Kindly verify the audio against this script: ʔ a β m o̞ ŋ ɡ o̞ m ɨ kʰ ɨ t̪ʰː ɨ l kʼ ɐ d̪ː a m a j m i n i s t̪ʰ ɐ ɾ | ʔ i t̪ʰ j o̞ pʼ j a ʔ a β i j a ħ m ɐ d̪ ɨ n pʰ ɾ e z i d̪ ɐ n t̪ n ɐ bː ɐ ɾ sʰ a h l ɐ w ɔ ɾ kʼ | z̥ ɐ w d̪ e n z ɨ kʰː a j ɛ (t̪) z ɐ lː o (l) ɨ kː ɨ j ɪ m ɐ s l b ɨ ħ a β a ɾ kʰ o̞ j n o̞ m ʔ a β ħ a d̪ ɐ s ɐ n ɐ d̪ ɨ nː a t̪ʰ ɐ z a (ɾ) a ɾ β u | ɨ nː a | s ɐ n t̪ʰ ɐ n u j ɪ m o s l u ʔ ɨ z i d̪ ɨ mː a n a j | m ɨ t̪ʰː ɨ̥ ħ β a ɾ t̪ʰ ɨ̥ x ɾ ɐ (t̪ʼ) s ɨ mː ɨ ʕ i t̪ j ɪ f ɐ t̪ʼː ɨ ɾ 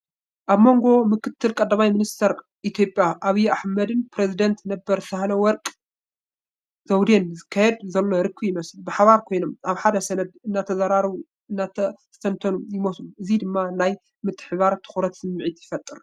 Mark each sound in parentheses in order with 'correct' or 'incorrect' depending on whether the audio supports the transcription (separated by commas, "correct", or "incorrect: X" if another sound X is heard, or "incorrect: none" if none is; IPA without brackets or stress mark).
incorrect: d̪, incorrect: ɾ, correct, incorrect: t̪